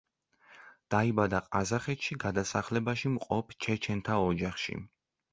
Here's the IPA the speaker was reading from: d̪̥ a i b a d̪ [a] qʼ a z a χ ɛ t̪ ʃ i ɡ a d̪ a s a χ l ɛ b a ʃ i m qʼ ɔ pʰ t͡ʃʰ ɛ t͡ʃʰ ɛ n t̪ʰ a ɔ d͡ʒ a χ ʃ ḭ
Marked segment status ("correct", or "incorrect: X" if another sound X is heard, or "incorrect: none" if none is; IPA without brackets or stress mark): correct